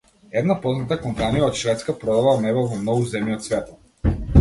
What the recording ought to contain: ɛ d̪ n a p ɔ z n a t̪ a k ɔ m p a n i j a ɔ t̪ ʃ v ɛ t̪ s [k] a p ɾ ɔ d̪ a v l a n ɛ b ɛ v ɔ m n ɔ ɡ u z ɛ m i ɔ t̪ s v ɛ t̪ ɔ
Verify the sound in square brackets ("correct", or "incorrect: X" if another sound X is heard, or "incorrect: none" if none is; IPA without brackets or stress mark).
correct